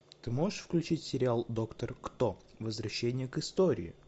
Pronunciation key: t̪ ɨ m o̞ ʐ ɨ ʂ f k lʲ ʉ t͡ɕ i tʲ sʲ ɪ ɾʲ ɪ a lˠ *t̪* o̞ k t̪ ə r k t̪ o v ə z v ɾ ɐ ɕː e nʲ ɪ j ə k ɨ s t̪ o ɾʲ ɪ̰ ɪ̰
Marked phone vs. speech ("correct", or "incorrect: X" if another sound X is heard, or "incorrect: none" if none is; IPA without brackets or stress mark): incorrect: d̪